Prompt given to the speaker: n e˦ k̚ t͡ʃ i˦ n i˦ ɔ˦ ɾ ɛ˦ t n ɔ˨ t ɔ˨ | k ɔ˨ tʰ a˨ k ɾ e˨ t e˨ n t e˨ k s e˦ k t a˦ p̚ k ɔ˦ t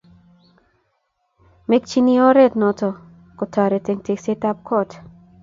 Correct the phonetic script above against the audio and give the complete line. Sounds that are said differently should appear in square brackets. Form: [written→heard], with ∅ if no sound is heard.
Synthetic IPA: [n→m] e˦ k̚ t͡ʃ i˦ n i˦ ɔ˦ ɾ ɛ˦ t n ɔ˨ t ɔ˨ | k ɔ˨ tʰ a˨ [k→∅] ɾ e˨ t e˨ [n→ŋ] t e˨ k s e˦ [k→∅] t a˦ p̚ k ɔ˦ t

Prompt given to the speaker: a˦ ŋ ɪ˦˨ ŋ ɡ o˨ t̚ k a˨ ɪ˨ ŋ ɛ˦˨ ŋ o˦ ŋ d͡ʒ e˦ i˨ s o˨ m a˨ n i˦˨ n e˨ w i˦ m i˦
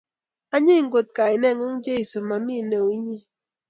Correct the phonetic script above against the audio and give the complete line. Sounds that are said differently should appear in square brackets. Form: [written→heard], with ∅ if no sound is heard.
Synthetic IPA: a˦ [ŋ→ɲ] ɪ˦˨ ŋ ɡ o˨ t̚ k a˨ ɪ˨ [ŋ→n] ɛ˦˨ ŋ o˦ ŋ d͡ʒ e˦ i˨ s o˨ m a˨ [n→m] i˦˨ n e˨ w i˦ [m→ɲ] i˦

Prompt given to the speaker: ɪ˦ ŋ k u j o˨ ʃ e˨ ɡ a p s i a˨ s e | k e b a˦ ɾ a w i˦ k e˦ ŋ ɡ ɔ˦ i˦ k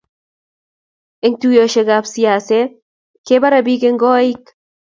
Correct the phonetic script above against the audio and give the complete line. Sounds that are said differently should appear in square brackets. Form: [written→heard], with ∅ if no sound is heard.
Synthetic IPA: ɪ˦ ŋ [k→t] u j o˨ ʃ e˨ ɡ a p s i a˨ s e | k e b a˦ ɾ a [w→b] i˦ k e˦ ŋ ɡ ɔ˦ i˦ k

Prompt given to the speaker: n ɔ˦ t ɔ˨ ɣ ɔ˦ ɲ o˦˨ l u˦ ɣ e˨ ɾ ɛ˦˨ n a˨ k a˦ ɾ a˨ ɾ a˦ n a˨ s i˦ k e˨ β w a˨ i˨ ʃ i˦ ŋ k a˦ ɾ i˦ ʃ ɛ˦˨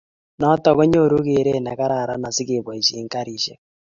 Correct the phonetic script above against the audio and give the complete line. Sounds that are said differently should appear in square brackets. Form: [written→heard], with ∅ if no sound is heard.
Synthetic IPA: n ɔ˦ t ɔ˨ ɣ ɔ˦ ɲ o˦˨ [l→ɾ] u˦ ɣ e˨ ɾ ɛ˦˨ n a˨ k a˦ ɾ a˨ ɾ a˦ n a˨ s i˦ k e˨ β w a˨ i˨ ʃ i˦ ŋ k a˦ ɾ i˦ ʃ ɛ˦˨

